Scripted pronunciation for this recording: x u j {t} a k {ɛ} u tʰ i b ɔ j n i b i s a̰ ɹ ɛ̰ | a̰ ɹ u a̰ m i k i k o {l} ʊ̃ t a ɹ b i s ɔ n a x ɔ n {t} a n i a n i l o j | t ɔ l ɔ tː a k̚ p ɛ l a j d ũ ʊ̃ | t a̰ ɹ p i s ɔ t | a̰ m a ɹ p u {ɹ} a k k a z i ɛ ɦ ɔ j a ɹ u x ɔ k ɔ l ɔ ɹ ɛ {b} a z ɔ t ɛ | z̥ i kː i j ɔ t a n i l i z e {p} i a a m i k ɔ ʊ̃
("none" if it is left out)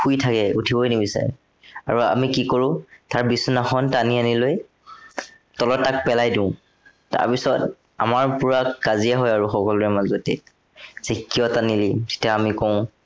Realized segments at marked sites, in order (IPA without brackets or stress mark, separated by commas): tʰ, ɛ, ɹ, t, ɹ, m, t